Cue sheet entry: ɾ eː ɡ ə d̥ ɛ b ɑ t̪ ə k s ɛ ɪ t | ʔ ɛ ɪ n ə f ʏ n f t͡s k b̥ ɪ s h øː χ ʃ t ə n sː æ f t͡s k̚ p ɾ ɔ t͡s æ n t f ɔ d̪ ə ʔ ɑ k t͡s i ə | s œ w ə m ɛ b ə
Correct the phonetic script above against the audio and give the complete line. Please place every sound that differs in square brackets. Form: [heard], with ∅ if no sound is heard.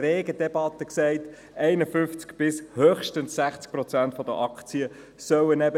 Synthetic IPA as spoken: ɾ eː ɡ ə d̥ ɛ b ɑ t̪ ə k s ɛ ɪ t | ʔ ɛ ɪ n ə f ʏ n f t͡s k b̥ ɪ s h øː χ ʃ t ə n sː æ [χ] t͡s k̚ p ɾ ɔ t͡s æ n t f ɔ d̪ ə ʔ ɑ k t͡s i ə | s œ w ə [n] ɛ b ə